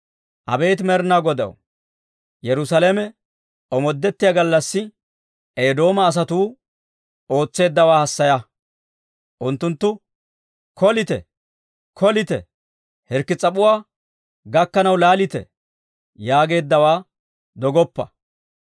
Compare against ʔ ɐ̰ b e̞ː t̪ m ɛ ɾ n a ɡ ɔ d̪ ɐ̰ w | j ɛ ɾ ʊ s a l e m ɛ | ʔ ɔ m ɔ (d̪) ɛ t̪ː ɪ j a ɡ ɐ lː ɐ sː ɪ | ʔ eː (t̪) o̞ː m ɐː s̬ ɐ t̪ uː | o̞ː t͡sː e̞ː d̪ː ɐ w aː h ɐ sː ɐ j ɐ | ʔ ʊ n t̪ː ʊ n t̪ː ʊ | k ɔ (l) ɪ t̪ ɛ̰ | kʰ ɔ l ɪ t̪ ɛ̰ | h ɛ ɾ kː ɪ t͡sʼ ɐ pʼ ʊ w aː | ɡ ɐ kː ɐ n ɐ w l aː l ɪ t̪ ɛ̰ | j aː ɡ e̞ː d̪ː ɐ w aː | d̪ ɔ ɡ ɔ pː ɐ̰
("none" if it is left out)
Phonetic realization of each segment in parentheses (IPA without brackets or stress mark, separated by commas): d̪ː, d̪, l